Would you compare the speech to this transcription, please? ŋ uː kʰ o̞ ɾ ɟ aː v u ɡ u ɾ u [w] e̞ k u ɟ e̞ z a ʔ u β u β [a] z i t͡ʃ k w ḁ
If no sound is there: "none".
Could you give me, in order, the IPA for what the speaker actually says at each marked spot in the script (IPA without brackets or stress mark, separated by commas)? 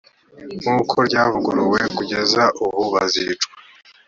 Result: w, a